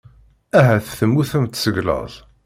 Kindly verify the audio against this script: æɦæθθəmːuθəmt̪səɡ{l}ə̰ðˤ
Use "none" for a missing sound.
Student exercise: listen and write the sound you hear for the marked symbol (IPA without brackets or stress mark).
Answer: l